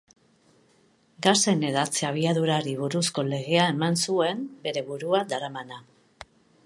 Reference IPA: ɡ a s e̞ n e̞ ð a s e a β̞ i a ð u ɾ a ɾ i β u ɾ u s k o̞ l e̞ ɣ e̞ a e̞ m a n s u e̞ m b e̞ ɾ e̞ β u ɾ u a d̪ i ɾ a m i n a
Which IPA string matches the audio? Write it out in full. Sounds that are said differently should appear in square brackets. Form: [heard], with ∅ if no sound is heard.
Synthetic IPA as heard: ɡ a s e̞ n e̞ ð a [t͡s] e a β̞ i a ð u ɾ a ɾ i β u ɾ u s k o̞ l e̞ ɣ e̞ a e̞ m a n s u e̞ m b e̞ ɾ e̞ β u ɾ u a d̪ [a] ɾ a m [a] n a